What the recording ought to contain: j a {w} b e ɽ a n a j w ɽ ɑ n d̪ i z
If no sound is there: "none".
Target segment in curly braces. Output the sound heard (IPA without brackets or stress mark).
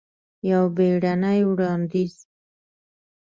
w